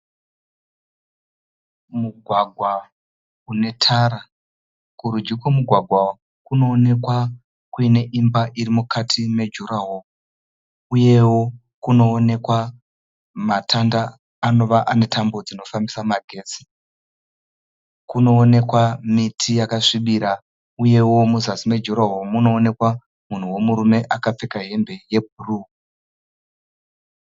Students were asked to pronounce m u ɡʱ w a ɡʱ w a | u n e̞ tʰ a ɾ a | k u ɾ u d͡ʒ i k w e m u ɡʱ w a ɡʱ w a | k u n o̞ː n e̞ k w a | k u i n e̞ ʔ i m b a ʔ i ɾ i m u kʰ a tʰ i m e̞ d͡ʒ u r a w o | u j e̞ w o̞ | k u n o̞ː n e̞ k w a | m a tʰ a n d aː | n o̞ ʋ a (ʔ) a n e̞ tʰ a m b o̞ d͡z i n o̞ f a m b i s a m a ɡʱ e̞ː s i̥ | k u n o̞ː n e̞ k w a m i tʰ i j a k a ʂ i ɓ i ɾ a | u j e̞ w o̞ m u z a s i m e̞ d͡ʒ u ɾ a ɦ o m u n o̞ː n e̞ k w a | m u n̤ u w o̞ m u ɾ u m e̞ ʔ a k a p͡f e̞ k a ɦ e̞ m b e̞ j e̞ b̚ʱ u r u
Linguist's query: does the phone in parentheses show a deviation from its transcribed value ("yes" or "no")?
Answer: no